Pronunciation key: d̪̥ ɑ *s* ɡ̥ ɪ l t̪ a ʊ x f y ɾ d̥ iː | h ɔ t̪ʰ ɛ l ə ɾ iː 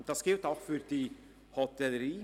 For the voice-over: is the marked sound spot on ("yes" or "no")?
yes